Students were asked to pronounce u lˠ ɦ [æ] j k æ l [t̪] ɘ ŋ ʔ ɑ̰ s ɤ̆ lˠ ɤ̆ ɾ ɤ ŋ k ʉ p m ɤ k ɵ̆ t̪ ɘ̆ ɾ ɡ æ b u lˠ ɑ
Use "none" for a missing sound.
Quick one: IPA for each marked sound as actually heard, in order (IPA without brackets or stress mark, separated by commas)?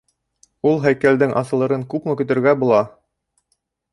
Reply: æ, d̪